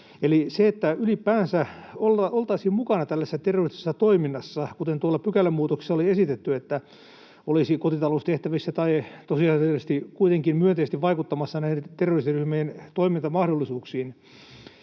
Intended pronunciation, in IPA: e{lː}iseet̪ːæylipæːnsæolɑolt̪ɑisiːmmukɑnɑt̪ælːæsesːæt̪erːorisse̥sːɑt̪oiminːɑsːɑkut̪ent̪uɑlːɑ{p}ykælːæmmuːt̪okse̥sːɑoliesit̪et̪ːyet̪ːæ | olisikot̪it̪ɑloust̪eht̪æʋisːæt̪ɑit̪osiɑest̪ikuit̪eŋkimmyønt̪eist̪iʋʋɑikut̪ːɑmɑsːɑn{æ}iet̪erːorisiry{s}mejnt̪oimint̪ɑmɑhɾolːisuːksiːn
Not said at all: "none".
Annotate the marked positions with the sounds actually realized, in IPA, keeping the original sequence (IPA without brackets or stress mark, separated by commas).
l, p, æ, h